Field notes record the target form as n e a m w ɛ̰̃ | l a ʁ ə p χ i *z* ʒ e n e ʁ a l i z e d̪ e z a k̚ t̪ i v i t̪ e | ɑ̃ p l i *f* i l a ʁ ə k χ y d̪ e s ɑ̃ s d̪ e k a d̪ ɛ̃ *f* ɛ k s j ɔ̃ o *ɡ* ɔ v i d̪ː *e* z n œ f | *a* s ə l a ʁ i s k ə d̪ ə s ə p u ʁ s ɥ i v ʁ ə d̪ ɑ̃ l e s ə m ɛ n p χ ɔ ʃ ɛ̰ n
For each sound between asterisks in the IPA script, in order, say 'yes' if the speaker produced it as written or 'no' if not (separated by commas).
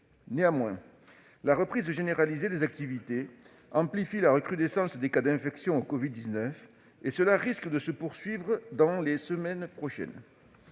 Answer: yes, yes, yes, no, no, no